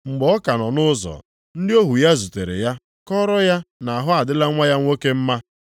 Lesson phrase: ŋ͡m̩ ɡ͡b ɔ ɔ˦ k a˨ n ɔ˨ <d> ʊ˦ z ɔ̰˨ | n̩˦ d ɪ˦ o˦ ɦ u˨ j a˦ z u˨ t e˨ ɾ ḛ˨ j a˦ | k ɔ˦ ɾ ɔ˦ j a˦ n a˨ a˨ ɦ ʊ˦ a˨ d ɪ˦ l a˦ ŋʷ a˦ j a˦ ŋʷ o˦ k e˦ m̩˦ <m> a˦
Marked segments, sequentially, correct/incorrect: incorrect, correct

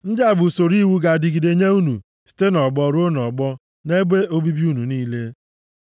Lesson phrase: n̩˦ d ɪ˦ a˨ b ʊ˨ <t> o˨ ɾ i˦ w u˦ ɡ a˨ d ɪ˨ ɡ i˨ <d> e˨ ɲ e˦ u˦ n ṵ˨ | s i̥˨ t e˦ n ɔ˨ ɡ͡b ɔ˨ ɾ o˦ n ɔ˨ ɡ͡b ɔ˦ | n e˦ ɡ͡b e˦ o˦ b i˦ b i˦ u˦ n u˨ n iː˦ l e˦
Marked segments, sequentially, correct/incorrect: incorrect, correct

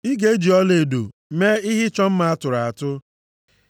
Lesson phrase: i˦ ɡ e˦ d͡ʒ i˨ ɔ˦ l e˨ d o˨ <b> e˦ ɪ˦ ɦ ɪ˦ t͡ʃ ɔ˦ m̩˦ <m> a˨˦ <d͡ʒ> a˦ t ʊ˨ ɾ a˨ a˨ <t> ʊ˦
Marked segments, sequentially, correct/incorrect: incorrect, correct, incorrect, correct

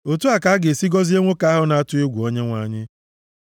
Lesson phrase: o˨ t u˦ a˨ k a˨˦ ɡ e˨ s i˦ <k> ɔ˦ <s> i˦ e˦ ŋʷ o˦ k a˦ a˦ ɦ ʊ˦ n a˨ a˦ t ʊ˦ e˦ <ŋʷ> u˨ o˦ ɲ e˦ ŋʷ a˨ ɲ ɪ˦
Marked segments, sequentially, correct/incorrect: incorrect, incorrect, incorrect

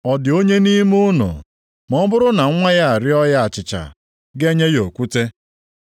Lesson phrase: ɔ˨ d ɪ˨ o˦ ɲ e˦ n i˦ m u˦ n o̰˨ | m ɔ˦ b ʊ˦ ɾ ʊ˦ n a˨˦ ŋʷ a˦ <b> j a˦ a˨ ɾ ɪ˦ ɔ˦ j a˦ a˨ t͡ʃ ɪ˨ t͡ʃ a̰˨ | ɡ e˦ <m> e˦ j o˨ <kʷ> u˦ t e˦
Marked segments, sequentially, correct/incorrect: incorrect, incorrect, correct

